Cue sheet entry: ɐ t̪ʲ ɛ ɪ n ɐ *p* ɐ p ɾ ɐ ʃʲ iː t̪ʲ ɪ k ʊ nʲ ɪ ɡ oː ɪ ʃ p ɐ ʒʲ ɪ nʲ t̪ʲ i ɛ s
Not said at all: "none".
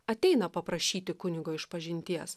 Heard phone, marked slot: p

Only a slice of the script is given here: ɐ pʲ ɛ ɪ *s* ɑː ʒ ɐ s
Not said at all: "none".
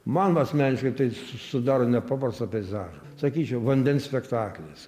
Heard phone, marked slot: z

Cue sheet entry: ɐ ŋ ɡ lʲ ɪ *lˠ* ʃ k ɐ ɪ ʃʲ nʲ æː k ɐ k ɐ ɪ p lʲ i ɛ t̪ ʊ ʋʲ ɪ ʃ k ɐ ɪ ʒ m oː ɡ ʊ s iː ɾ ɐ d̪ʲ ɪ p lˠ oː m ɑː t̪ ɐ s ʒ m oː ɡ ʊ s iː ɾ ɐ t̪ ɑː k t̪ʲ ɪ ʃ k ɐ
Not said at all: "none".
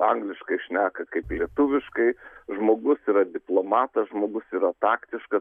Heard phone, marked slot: none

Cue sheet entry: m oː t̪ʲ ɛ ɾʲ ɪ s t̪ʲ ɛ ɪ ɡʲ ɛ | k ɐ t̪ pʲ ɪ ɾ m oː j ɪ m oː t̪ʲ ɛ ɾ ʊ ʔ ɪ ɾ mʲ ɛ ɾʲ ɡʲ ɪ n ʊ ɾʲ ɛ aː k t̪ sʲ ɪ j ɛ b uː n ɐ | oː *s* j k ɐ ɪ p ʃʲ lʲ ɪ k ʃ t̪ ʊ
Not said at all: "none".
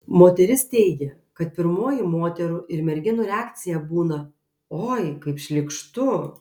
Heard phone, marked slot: none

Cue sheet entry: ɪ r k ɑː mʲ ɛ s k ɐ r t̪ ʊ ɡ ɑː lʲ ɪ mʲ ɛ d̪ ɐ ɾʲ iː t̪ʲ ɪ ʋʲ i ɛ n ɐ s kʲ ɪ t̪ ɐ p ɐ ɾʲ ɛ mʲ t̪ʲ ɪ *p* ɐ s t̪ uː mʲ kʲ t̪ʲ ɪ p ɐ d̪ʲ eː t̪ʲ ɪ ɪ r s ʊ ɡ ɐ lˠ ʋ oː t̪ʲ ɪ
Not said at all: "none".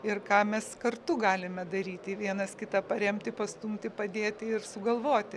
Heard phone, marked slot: p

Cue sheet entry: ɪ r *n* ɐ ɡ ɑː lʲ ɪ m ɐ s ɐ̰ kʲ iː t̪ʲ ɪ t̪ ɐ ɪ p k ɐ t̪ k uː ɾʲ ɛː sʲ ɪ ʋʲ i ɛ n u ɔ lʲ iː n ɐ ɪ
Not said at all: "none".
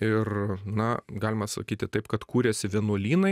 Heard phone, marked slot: n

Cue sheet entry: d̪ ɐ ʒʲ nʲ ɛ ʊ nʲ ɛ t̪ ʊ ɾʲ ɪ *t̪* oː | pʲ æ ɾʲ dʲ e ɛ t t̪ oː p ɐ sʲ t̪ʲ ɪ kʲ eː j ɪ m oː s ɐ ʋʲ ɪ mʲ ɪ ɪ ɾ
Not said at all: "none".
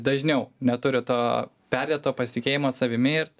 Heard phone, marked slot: t̪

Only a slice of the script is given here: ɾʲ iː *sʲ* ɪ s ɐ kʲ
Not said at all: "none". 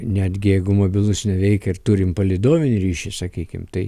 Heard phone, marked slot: ʃʲ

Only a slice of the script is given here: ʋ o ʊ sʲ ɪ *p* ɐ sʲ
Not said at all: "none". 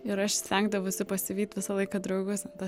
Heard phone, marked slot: p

